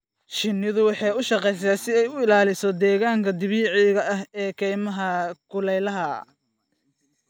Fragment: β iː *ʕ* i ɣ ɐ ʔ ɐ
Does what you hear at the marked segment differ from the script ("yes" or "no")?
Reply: no